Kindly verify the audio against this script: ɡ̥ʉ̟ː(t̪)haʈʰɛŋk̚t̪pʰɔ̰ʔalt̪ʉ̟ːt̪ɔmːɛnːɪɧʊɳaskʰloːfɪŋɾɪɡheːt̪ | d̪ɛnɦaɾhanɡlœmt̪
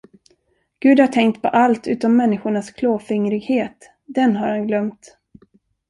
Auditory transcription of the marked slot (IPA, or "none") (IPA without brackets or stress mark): d̪